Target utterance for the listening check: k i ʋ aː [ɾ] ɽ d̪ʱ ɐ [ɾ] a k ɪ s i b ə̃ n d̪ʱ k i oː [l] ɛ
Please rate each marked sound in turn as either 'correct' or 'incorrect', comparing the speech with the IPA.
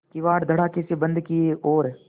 incorrect, incorrect, incorrect

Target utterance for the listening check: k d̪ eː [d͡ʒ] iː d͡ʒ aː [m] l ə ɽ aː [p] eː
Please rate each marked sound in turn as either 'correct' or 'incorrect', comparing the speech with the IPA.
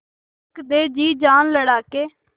correct, incorrect, incorrect

